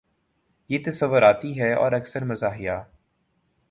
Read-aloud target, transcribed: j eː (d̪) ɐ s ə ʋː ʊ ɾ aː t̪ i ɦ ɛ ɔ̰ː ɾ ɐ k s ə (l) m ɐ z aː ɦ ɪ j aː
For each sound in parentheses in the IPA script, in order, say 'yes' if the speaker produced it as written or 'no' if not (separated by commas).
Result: no, no